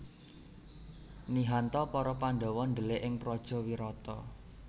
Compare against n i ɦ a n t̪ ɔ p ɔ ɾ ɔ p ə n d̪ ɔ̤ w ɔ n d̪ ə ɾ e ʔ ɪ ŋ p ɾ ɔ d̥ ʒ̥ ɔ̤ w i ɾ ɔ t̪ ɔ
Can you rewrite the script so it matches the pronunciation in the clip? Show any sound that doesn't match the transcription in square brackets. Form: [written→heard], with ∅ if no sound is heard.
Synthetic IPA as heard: n i ɦ a n t̪ ɔ p ɔ ɾ ɔ p [ə→a] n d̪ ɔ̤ w ɔ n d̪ ə [ɾ→l] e ʔ ɪ ŋ p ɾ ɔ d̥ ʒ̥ ɔ̤ w i ɾ ɔ t̪ ɔ

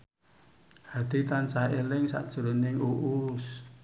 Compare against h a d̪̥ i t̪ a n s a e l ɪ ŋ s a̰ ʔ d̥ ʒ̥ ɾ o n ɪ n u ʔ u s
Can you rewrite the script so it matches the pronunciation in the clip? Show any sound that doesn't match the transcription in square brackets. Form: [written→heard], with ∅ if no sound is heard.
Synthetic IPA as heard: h a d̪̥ i t̪ a n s a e l ɪ ŋ s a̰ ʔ d̥ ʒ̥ ɾ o n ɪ [n→ŋ] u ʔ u s

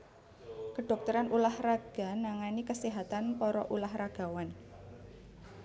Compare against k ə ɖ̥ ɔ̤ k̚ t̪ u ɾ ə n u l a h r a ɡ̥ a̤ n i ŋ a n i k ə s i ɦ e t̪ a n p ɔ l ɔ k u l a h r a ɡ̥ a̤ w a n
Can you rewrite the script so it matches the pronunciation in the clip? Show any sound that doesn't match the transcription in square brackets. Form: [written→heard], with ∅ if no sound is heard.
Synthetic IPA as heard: k ə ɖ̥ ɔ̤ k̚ t̪ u ɾ [ə→a] n u l a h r a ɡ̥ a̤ n [i→a] ŋ a n i k ə s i ɦ [e→a] t̪ a n p ɔ [l→ɾ] ɔ [k→ʔ] u l a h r a ɡ̥ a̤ w a n

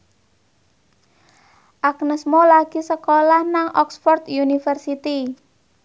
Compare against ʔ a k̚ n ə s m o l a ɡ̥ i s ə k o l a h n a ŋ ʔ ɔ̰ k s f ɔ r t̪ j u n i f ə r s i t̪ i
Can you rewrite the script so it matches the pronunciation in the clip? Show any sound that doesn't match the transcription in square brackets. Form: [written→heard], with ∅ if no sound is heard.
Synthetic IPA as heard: ʔ a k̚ n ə s m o l a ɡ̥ i s ə k o l a h n a ŋ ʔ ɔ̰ k s f ɔ r t̪ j u n i f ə r s i t̪ i

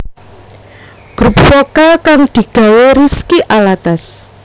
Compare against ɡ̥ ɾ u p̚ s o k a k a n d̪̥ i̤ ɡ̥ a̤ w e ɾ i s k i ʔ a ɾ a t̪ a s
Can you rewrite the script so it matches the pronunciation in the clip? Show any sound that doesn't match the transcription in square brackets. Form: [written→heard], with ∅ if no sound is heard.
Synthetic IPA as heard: ɡ̥ ɾ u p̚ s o k a k a [n→ŋ] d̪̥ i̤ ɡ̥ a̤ w e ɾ i s k i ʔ a [ɾ→l] a t̪ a s

